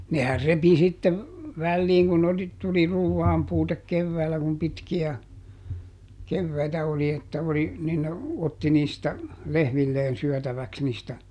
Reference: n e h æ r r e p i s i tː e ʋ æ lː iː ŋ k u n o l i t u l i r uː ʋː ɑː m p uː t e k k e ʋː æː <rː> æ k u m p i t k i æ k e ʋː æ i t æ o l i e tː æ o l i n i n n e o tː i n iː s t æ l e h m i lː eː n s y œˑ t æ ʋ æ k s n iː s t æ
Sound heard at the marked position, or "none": lː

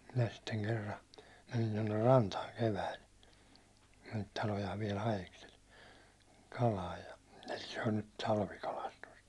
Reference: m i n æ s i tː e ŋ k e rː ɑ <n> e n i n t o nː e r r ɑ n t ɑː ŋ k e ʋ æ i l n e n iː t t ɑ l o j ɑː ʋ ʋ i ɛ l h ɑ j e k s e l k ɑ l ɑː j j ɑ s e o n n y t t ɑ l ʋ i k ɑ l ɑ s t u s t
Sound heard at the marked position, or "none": m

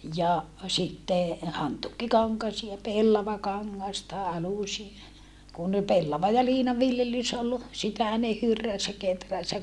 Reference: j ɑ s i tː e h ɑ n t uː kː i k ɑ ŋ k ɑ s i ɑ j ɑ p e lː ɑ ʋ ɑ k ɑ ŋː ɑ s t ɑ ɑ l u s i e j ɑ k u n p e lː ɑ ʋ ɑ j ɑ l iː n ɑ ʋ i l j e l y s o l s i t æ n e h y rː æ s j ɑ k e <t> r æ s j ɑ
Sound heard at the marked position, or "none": t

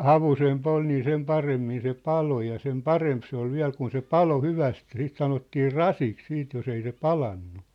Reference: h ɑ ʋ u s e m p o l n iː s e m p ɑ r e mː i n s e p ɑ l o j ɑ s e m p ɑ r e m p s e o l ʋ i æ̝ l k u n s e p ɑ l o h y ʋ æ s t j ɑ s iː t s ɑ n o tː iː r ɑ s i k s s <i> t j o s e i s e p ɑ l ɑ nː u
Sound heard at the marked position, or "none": iː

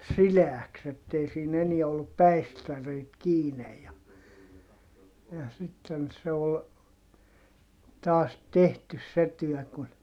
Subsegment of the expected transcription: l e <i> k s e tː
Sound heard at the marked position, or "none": æ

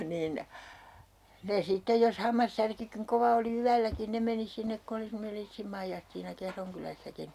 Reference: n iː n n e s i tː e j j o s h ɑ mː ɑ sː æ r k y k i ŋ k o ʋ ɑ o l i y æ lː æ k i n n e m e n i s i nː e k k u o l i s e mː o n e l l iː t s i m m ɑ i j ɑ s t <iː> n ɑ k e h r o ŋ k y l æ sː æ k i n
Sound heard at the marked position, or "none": iː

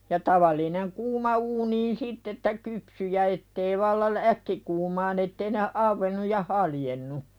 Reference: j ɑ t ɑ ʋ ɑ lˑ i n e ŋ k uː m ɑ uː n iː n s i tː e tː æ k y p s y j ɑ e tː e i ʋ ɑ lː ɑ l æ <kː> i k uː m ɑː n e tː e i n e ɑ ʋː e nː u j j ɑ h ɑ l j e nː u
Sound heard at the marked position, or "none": kː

